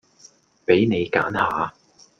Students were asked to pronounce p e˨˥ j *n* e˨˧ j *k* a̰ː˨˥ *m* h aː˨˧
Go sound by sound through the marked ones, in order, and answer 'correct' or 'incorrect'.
correct, correct, incorrect

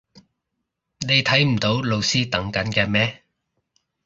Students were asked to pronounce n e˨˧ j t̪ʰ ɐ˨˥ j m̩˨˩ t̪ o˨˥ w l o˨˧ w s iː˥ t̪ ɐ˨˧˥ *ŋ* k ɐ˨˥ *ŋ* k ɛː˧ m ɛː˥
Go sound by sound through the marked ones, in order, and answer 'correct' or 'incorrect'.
correct, incorrect

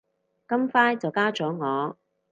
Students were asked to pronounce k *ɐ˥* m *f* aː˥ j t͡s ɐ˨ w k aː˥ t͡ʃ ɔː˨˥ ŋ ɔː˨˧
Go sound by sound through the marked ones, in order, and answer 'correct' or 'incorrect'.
correct, correct

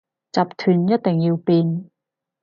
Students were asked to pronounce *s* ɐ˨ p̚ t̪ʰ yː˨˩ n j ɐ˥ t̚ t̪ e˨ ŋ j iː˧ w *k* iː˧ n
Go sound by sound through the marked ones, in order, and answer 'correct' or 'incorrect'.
incorrect, incorrect

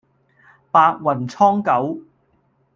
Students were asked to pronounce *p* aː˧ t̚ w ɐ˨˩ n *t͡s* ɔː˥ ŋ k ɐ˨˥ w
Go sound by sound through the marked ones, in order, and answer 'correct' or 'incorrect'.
correct, incorrect

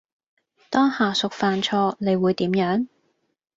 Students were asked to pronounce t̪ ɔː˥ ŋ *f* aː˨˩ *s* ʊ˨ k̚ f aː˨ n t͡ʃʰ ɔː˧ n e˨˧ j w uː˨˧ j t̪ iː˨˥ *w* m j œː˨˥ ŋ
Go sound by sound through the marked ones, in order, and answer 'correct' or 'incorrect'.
incorrect, correct, incorrect

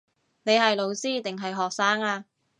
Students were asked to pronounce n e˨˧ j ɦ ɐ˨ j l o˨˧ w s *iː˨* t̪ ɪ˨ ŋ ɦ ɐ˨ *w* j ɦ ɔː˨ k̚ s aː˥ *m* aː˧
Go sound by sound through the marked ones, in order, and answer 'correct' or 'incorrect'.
incorrect, incorrect, incorrect

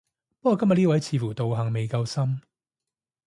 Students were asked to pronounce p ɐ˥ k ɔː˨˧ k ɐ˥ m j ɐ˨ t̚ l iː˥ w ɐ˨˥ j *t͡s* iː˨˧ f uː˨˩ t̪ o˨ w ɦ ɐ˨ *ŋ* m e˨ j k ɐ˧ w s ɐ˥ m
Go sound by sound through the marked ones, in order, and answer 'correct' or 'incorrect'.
incorrect, correct

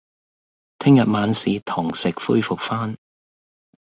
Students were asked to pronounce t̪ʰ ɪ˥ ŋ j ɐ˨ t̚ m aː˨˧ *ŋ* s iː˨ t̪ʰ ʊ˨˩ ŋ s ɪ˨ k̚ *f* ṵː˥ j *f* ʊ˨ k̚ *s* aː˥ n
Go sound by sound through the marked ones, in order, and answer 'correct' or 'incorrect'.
incorrect, correct, correct, incorrect

